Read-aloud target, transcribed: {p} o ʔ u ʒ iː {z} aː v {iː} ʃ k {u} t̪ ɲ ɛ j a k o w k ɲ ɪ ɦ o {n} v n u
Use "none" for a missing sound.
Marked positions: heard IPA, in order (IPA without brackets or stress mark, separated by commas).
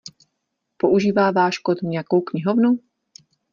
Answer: p, v, aː, o, none